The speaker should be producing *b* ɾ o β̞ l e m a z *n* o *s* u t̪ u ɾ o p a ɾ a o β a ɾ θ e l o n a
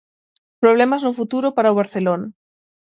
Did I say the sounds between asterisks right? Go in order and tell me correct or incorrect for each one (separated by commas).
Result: incorrect, correct, incorrect